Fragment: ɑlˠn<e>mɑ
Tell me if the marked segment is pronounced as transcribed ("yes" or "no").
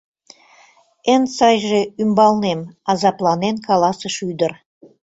yes